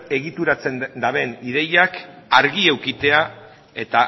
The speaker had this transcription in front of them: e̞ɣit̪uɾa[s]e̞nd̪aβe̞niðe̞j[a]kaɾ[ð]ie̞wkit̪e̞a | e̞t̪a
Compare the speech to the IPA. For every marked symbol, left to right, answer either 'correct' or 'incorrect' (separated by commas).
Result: incorrect, correct, incorrect